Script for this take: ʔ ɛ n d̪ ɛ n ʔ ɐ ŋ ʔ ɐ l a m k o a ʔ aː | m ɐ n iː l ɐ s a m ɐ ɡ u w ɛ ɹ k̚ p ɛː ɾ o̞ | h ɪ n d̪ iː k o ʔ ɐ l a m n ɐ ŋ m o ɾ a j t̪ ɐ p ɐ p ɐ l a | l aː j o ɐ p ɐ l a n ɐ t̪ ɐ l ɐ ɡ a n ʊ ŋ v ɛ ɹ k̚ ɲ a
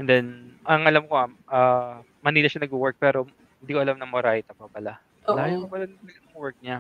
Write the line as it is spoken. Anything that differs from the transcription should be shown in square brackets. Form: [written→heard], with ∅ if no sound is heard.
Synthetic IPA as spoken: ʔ ɛ n d̪ ɛ n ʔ ɐ ŋ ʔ ɐ l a m k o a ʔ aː | m ɐ n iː l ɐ [s→ʃ] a [m→n] ɐ ɡ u w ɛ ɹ k̚ p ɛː ɾ o̞ | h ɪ n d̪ iː k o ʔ ɐ l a m n ɐ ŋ m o ɾ a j t̪ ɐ p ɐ p ɐ l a | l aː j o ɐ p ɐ l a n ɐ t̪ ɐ l ɐ ɡ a n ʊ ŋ [v→w] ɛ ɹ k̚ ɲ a